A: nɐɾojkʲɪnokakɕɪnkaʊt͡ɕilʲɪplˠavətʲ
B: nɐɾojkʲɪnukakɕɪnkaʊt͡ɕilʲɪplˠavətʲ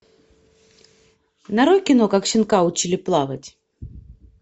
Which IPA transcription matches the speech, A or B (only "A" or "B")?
A